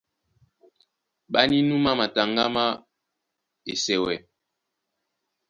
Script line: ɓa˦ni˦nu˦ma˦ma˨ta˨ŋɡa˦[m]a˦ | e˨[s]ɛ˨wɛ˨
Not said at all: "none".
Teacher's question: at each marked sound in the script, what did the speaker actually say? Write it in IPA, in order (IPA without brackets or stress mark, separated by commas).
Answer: m, s